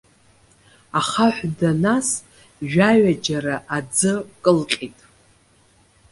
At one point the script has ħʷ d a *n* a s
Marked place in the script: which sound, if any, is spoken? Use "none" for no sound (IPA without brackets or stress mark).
n